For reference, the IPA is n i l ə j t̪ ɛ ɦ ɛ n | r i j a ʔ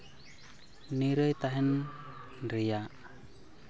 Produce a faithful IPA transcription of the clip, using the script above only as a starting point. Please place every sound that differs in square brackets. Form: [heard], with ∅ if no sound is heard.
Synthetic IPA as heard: n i [ɾ] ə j t̪ [a] ɦ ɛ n | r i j a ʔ